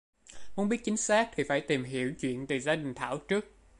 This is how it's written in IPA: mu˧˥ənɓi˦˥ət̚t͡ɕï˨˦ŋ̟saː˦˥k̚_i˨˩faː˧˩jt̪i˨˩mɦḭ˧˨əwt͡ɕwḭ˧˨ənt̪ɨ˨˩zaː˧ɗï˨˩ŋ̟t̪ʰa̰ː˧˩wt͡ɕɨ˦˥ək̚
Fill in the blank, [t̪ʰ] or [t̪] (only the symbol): t̪ʰ